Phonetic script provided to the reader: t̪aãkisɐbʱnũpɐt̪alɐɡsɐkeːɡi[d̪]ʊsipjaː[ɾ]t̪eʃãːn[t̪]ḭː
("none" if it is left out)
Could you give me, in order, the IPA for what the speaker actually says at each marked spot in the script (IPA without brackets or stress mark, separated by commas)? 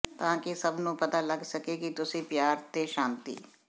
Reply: t̪, ɾ, t̪